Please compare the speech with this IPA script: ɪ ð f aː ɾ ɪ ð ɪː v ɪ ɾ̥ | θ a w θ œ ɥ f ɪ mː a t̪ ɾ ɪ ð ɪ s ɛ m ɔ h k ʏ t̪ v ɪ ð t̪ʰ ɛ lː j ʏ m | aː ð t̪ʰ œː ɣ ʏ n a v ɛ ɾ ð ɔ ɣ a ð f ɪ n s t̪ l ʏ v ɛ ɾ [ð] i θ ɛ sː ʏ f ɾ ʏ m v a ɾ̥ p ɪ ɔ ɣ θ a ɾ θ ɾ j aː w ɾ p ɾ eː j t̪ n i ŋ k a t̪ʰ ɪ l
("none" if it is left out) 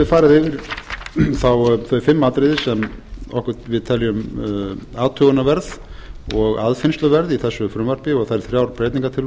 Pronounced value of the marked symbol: ð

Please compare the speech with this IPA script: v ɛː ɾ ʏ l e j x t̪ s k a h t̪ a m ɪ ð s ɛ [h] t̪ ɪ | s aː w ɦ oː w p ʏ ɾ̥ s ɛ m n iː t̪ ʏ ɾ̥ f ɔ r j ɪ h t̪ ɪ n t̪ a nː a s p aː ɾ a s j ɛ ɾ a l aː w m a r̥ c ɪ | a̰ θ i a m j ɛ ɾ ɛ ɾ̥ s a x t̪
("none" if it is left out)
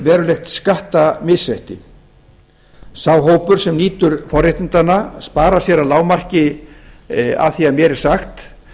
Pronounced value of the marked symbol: h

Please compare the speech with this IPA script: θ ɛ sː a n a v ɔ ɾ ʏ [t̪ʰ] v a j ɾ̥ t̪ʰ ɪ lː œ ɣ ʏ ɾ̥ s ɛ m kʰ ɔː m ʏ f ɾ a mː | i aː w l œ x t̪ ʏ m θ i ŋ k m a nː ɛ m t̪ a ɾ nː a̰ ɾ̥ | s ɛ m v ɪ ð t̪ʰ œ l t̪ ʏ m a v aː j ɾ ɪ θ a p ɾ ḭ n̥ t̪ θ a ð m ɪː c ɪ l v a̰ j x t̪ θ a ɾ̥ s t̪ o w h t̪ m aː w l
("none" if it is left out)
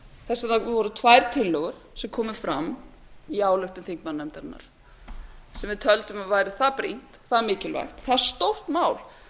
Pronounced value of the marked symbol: t̪ʰ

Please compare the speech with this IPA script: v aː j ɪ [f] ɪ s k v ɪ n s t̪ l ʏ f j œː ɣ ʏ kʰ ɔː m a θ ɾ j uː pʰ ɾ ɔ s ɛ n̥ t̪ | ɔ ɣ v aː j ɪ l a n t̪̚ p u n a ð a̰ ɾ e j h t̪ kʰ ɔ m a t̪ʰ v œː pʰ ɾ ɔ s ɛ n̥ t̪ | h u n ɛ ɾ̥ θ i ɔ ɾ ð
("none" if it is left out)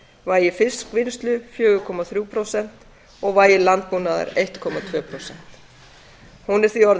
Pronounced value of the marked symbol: f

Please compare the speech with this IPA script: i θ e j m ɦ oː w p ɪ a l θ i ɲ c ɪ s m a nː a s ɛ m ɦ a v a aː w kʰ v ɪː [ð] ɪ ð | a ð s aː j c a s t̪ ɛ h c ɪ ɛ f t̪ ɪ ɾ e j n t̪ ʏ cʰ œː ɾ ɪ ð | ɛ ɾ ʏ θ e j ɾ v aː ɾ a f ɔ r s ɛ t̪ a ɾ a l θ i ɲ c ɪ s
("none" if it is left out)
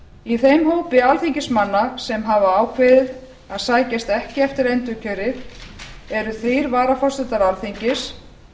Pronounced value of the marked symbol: ð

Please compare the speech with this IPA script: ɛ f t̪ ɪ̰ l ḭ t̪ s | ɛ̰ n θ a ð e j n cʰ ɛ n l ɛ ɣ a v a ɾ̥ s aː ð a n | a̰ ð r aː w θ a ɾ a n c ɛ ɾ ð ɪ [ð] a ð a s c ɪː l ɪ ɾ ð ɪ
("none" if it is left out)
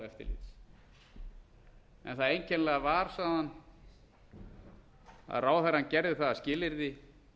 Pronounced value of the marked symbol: θ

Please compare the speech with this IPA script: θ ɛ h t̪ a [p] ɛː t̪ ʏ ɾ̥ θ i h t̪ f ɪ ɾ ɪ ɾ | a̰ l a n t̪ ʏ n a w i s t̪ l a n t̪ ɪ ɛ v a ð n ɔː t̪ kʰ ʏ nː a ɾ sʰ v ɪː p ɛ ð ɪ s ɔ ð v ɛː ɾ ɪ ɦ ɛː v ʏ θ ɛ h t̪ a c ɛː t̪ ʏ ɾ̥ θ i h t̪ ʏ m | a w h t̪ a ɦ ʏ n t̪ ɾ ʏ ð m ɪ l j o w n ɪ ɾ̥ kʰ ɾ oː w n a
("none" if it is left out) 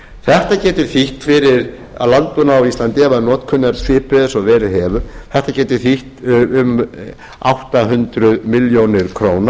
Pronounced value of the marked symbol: c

